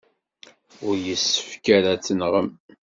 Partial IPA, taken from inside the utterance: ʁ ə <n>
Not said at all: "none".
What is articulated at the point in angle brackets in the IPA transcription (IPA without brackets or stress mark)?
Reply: m